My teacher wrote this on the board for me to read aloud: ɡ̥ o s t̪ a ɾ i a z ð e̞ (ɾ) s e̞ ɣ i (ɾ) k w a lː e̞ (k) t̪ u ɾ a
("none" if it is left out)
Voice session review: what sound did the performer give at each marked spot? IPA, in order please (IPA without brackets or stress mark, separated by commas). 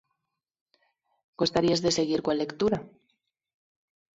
none, ɾ, k